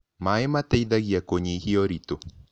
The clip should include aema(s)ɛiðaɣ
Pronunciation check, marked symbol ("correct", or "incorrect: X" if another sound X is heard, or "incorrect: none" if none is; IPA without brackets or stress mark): incorrect: t